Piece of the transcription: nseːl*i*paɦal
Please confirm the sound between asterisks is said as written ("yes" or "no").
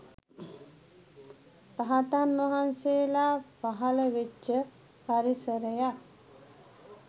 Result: no